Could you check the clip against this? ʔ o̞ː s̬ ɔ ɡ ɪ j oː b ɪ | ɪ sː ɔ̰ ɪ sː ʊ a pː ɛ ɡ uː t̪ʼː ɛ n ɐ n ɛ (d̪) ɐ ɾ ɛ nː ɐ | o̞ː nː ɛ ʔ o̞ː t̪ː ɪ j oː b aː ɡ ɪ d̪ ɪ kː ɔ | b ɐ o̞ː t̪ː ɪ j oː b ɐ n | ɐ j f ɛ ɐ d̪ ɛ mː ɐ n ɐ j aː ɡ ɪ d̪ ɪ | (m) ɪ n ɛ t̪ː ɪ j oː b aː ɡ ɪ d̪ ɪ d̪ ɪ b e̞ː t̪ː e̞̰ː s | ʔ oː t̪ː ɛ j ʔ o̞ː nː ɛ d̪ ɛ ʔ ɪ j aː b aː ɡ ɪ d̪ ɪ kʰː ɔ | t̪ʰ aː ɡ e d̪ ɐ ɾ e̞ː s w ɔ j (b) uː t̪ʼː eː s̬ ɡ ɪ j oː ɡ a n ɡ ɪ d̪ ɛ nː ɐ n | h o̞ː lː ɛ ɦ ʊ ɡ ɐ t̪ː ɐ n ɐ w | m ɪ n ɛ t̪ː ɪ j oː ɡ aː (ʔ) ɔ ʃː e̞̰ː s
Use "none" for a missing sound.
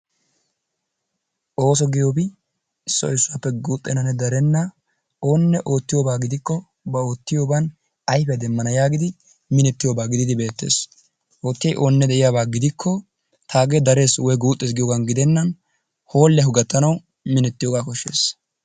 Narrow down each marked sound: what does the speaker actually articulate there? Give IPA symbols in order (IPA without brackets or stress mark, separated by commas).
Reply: d̪, m, ɡ, k